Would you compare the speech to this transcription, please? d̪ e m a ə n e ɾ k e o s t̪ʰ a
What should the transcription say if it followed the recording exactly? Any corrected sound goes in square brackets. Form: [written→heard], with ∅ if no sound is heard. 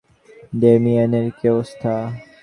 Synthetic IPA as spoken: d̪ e m [a→i] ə n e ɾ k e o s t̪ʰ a

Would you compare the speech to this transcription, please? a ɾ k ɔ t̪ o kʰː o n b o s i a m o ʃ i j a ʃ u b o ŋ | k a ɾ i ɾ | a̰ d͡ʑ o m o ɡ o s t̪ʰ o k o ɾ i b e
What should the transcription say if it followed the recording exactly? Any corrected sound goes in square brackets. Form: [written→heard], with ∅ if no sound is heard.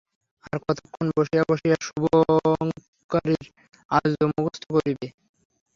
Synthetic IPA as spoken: a ɾ k ɔ t̪ o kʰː o n b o [s→ʃ] i a [m→b] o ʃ i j a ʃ u b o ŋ | k a ɾ i ɾ | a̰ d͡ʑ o m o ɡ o s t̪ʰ o k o ɾ i b e

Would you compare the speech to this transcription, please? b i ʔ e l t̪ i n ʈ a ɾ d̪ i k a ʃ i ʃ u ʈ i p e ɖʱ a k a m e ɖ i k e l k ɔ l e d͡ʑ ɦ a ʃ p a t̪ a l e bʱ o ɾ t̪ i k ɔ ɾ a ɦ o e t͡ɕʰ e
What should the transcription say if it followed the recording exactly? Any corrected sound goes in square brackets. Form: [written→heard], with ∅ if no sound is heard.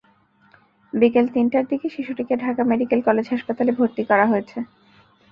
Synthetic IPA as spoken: b i [ʔ→k] e l t̪ i n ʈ a ɾ d̪ i k [a→e] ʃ i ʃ u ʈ i [p→k] e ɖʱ a k a m e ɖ i k e l k ɔ l e d͡ʑ ɦ a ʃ p a t̪ a l e bʱ o ɾ t̪ i k ɔ ɾ a ɦ o e t͡ɕʰ e

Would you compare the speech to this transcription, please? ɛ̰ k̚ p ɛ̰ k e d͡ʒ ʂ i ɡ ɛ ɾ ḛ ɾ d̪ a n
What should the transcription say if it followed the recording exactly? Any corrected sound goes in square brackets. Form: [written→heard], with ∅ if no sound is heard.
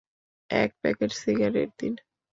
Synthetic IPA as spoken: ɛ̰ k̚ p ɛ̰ k e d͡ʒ [ʂ→s] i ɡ [ɛ→a] ɾ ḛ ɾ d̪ [a→i] n

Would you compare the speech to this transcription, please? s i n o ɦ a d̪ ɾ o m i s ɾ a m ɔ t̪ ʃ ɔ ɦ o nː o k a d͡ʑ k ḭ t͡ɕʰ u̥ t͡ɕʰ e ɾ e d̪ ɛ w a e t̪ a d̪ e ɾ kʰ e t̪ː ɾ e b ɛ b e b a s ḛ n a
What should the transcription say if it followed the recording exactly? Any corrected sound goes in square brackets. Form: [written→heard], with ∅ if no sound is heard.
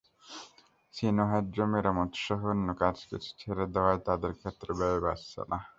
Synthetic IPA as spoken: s i n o ɦ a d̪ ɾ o m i [s→∅] ɾ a m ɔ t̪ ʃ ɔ ɦ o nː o k a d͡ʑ k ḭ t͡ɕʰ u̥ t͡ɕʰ e ɾ e d̪ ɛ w a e t̪ a d̪ e ɾ kʰ e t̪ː ɾ e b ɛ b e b a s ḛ n a

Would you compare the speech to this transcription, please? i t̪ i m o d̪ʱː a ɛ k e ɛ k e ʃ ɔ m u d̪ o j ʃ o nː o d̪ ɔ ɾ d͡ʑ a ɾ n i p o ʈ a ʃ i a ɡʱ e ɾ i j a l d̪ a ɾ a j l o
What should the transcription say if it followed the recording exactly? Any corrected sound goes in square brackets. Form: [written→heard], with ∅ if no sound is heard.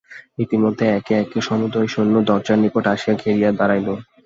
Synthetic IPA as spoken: i t̪ i m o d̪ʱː [a→e] ɛ k e ɛ k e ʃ ɔ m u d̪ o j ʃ o nː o d̪ ɔ ɾ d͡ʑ a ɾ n i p o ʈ a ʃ i a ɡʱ e ɾ i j a [l→∅] d̪ a ɾ a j l o

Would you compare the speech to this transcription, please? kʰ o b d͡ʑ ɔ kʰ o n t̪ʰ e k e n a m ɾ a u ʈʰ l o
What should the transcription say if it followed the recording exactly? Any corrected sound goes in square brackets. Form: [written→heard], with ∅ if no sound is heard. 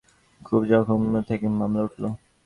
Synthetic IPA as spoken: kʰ [o→u] b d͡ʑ ɔ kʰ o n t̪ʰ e k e [n→m] a m [ɾ→l] a u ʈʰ l o

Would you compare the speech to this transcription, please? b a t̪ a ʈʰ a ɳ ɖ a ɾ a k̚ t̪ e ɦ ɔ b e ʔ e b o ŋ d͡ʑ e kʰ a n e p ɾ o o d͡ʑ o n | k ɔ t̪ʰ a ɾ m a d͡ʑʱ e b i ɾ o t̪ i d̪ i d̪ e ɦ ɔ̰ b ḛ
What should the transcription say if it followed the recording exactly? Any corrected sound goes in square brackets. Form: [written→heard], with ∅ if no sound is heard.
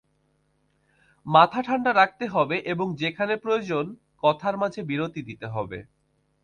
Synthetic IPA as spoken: [b→m] a [t̪→t̪ʰ] a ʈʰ a ɳ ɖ a ɾ a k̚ t̪ e ɦ ɔ b e ʔ e b o ŋ d͡ʑ e kʰ a n e p ɾ o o d͡ʑ o n | k ɔ t̪ʰ a ɾ m a d͡ʑʱ e b i ɾ o t̪ i d̪ i [d̪→t̪] e ɦ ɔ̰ b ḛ

